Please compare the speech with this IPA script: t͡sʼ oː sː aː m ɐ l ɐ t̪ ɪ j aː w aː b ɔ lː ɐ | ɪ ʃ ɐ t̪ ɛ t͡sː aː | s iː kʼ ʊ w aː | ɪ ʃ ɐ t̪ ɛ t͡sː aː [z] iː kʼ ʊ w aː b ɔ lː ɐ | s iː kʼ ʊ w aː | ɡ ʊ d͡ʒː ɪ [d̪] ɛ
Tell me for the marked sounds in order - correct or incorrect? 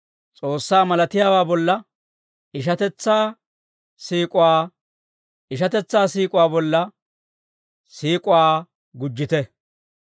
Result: incorrect: s, incorrect: t̪

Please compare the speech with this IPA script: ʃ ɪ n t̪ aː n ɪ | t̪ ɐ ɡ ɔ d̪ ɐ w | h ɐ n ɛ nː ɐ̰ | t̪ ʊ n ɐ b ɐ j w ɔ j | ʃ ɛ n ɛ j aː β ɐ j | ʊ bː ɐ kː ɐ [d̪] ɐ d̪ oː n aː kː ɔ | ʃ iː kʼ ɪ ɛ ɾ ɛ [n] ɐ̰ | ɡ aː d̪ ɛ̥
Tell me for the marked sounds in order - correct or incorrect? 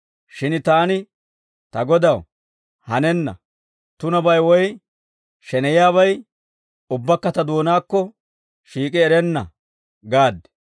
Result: incorrect: t̪, incorrect: nː

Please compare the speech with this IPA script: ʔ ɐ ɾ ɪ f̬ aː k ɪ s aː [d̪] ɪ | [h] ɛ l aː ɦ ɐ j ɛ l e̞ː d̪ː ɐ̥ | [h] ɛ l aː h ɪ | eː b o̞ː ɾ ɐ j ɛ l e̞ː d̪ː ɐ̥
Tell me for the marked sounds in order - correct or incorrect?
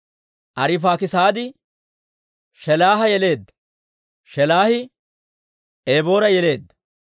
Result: correct, incorrect: ʃ, incorrect: ʃ

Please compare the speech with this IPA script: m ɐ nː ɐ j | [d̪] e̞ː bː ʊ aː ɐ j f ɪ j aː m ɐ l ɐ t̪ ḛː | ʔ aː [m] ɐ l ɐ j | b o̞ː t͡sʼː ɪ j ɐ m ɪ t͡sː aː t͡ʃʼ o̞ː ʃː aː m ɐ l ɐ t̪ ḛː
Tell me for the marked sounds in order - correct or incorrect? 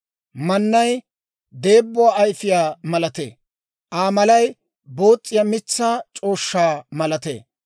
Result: correct, correct

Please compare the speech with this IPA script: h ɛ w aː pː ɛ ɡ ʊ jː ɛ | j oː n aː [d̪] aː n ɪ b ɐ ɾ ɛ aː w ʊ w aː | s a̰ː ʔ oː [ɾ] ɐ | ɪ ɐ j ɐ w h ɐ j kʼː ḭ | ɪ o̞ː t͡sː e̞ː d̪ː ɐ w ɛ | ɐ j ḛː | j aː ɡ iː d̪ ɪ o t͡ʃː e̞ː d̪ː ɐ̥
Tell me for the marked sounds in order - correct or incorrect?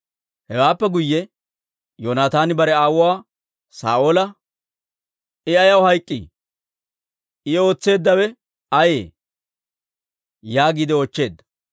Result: incorrect: t̪, incorrect: l

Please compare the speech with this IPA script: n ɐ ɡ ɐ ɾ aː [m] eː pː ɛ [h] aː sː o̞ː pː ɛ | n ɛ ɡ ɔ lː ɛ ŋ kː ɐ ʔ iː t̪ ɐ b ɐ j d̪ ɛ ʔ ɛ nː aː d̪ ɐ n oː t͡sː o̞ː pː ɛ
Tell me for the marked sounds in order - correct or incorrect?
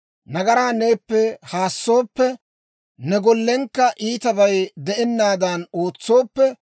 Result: incorrect: n, correct

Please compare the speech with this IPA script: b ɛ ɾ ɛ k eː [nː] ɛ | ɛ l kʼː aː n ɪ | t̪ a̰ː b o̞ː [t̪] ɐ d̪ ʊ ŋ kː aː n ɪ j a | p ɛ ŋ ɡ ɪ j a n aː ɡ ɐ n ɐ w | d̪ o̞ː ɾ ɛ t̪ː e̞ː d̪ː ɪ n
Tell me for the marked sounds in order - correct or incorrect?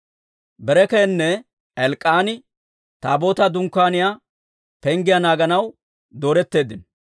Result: correct, correct

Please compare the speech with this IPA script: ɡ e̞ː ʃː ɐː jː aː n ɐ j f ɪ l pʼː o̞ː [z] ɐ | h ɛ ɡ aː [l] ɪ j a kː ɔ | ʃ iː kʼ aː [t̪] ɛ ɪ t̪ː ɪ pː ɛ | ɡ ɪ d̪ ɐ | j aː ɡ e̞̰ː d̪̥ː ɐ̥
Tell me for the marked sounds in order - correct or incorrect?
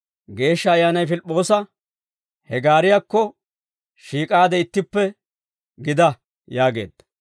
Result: incorrect: s, incorrect: ɾ, incorrect: d̪

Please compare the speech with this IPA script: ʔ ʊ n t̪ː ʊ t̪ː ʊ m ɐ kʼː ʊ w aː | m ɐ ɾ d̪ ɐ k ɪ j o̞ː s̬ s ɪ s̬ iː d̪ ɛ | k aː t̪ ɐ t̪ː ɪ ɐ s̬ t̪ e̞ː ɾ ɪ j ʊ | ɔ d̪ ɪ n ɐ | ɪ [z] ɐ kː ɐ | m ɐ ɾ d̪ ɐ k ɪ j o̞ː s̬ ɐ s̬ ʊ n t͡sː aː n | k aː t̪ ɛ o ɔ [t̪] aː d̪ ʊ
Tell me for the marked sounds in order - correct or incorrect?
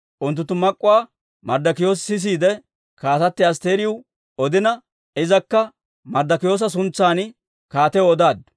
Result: correct, incorrect: d̪

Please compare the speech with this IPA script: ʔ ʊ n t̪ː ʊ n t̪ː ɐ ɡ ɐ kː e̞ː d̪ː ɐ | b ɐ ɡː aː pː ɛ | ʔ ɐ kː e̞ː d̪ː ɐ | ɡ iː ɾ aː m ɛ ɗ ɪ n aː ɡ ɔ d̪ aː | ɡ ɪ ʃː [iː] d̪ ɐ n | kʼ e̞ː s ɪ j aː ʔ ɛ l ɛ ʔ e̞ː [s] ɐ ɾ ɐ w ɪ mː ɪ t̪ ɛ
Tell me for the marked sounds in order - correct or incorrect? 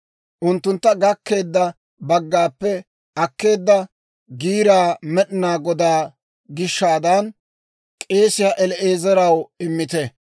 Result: incorrect: aː, incorrect: z

